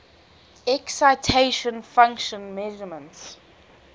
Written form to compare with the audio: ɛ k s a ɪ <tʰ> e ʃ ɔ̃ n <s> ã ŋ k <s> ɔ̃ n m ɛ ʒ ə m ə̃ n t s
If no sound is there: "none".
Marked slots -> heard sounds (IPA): tʰ, f, ʃ

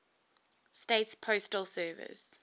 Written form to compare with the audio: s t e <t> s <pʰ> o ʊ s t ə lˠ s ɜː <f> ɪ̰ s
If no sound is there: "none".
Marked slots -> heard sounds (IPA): t, pʰ, v

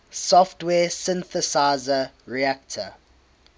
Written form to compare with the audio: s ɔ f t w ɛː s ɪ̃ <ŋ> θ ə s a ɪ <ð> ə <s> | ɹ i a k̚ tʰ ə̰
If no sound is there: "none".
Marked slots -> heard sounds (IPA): n, z, none

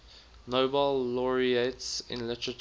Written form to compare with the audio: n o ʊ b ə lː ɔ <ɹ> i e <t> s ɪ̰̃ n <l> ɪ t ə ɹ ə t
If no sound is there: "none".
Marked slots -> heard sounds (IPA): ɹ, t, l

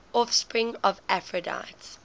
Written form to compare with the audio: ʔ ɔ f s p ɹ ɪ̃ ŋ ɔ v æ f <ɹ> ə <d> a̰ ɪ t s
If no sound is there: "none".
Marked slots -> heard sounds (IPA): ɹ, d

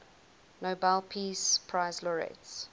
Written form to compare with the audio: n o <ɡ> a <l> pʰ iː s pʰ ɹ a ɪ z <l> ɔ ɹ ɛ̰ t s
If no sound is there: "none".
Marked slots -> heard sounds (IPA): b, l, l

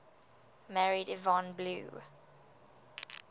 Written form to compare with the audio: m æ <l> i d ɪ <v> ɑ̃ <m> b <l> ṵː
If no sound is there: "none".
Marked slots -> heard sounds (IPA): ɹ, v, n, l

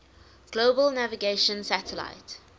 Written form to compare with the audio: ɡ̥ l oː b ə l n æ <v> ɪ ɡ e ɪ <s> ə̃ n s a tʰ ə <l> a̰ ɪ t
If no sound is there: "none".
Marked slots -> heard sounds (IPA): v, ʃ, l

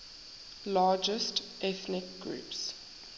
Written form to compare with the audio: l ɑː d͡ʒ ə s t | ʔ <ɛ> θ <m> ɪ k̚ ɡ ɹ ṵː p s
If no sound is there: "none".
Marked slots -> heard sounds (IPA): ɛ, n

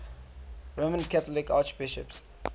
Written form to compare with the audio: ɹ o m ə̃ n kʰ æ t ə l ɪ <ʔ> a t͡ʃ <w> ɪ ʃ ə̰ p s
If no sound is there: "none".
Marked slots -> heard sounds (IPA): k, b

